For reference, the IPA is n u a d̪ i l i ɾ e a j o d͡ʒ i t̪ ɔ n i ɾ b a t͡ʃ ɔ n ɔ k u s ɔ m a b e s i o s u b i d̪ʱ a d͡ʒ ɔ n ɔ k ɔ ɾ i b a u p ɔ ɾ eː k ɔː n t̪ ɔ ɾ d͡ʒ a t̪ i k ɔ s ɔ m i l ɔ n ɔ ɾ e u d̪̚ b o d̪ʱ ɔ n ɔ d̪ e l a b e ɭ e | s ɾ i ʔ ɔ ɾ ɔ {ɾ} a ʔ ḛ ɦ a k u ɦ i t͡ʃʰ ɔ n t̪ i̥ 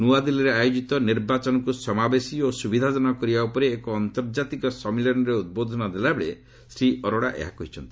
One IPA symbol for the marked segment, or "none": ɽ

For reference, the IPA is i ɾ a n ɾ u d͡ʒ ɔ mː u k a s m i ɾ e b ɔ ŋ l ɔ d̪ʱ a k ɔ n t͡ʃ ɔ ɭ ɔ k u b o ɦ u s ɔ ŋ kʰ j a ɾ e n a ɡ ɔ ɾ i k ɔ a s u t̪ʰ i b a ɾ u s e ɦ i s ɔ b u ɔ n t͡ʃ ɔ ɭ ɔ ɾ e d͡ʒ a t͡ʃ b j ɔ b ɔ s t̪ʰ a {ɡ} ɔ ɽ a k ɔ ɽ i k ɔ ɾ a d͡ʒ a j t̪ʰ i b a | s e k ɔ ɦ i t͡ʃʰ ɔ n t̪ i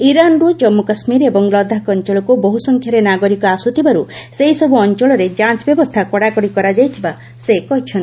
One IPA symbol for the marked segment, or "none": k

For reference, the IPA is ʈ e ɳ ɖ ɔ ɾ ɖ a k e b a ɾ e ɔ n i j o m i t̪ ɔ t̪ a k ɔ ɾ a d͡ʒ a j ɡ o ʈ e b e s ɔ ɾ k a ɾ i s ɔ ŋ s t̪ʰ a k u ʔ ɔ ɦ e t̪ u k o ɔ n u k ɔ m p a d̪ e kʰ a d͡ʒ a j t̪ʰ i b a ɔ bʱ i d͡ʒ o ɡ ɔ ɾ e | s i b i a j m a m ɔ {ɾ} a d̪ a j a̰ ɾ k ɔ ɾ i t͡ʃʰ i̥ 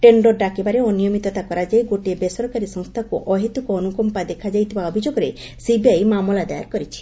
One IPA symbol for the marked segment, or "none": l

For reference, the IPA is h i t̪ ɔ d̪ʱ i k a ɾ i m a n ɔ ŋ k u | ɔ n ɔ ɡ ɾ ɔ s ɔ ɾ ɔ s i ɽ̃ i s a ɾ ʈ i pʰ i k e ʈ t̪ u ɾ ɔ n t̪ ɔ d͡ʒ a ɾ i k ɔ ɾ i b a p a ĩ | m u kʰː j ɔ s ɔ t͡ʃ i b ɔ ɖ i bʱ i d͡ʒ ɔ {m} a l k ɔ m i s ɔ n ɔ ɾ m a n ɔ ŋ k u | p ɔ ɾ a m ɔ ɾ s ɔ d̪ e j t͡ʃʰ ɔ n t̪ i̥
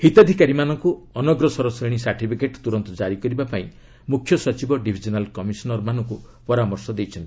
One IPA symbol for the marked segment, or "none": n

